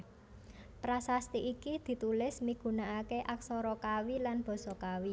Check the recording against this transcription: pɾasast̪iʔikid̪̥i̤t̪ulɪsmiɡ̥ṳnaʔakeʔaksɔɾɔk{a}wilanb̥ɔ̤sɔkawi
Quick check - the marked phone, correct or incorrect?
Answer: correct